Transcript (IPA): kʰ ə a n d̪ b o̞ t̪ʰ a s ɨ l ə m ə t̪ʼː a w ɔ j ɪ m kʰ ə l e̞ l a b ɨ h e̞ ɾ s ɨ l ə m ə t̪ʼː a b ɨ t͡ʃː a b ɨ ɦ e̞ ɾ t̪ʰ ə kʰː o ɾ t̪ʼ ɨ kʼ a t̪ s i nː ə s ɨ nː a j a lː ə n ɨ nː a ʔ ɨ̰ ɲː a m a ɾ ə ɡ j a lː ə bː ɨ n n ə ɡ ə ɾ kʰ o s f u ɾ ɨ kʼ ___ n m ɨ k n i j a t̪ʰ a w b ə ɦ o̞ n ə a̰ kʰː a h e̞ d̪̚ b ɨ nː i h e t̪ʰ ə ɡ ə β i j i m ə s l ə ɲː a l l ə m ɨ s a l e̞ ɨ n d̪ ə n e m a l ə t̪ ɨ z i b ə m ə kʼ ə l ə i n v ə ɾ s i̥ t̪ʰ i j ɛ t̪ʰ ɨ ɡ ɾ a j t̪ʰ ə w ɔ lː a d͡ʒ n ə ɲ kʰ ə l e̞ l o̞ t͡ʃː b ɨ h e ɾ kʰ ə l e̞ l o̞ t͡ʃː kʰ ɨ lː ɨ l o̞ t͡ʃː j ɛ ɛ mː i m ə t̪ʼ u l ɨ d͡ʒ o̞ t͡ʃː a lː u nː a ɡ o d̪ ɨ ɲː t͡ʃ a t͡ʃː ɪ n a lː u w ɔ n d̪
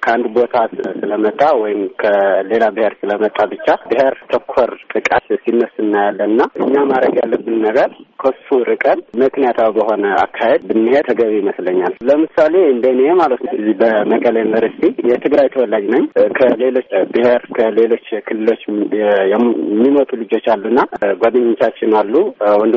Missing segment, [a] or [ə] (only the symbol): ə